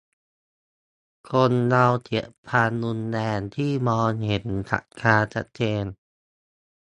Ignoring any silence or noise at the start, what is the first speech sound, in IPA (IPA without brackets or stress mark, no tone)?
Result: kʰ